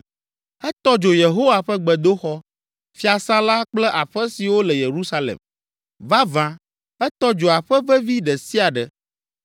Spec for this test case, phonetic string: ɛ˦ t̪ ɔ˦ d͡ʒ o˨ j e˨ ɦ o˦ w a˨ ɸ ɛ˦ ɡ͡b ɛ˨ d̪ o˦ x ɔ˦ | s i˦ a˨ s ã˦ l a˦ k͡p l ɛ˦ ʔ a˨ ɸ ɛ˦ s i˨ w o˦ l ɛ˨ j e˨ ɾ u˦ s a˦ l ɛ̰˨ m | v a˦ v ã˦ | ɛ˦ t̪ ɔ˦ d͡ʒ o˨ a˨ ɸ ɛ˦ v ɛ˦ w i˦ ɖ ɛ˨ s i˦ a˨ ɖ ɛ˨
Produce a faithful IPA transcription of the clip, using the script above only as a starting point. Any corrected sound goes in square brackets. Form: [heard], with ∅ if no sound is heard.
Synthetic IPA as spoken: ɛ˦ t̪ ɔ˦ d͡ʒ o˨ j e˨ ɦ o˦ w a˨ ɸ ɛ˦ ɡ͡b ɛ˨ d̪ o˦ x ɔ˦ | [f] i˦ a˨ s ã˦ l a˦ k͡p l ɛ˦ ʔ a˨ ɸ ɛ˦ s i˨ w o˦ l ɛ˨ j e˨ ɾ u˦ s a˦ l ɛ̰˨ m | v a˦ v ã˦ | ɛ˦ t̪ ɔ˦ d͡ʒ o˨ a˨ ɸ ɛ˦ v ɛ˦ [v] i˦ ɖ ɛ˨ s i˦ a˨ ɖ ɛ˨

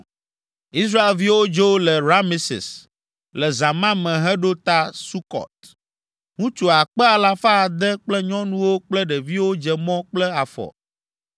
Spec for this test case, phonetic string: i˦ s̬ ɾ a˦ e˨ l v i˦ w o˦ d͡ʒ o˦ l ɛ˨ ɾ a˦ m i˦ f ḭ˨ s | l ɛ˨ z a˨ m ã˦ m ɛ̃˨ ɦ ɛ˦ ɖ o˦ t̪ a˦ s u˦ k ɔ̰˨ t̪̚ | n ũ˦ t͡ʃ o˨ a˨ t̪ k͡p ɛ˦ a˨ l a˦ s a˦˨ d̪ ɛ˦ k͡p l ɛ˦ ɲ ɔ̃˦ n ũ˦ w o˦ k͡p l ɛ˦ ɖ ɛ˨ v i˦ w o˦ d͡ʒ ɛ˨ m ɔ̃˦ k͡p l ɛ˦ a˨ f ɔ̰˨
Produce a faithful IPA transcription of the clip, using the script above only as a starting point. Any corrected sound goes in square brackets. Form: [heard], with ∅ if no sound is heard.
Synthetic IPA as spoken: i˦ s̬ ɾ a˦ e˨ l v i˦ w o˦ d͡ʒ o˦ l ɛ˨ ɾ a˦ m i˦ [s] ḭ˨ s | l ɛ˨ z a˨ m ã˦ m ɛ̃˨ ɦ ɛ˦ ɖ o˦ t̪ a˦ s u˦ k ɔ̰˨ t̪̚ | [ŋ] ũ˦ t͡ʃ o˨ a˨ [∅] k͡p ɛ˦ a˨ l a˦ [f] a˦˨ d̪ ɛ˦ k͡p l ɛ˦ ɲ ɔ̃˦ n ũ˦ w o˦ k͡p l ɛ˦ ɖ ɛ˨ v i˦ w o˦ d͡ʒ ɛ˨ m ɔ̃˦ k͡p l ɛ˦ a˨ f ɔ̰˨

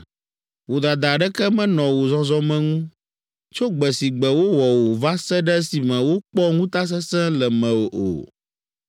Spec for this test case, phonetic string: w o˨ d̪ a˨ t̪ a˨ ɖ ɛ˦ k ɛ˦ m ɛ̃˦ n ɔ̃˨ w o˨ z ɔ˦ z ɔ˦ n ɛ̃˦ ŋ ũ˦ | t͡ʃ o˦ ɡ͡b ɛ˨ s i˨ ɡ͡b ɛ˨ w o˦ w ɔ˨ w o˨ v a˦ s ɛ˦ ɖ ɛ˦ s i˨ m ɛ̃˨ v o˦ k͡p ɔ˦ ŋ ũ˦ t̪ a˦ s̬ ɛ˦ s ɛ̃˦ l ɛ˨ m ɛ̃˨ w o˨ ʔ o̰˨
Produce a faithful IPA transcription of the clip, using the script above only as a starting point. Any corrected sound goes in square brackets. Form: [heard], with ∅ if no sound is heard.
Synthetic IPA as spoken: w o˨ d̪ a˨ [d̪] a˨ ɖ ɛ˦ k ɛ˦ m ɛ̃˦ n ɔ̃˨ w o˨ z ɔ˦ z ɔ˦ [m] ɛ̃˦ ŋ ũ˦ | t͡ʃ o˦ ɡ͡b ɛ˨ s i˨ ɡ͡b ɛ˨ w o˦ w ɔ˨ w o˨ v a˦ s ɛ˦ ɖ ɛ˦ s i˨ m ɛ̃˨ [w] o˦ k͡p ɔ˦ ŋ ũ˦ t̪ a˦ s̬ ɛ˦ s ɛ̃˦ l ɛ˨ m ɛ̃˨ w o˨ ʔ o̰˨

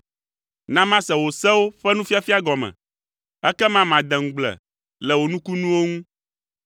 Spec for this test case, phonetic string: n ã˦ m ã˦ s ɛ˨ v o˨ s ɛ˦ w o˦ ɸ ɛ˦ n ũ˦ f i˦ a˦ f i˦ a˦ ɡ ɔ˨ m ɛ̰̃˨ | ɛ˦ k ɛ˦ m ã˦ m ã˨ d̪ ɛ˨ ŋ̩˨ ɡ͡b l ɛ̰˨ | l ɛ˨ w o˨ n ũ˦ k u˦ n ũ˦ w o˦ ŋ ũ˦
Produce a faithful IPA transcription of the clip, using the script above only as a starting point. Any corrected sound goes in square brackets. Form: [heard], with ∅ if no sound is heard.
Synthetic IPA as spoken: n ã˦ m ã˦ s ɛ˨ [w] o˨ s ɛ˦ w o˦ ɸ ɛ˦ n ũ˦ f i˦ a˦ f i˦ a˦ ɡ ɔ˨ m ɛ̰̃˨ | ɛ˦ k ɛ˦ m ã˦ m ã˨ d̪ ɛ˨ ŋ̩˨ ɡ͡b l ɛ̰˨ | l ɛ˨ w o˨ n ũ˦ k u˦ n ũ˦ w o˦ ŋ ũ˦

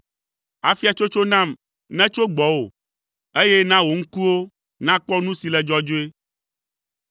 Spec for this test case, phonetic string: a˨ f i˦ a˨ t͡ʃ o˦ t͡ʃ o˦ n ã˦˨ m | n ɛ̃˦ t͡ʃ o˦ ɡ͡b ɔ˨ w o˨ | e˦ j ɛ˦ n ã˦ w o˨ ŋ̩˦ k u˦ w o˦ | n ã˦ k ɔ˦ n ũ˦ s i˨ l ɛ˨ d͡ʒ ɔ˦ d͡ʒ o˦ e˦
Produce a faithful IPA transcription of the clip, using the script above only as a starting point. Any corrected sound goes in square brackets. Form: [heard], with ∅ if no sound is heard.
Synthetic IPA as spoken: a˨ f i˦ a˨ t͡ʃ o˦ t͡ʃ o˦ n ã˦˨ m | n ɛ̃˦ t͡ʃ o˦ ɡ͡b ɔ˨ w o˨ | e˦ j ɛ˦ n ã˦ w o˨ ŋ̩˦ k u˦ w o˦ | n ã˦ [k͡p] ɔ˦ n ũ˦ s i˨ l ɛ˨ d͡ʒ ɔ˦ d͡ʒ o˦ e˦

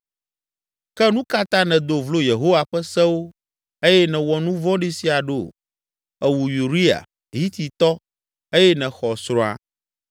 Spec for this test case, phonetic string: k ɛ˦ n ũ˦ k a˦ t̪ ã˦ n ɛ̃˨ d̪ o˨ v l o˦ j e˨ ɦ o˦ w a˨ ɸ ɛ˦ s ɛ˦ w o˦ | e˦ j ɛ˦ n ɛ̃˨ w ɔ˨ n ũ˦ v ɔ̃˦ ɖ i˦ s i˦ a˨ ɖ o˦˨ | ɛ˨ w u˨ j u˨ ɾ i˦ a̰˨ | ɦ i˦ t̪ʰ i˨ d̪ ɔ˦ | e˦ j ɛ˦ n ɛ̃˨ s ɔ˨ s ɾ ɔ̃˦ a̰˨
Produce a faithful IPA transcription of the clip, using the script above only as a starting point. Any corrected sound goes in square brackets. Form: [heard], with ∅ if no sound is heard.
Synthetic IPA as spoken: k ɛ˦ n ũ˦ k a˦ t̪ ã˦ n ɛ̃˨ d̪ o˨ v l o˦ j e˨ ɦ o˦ w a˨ ɸ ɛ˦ s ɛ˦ w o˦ | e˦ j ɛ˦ n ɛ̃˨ w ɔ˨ n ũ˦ v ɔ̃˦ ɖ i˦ s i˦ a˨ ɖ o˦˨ | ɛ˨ w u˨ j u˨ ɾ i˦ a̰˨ | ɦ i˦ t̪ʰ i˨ [t̪] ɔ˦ | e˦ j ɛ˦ n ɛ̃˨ [x] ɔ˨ s ɾ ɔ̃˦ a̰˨

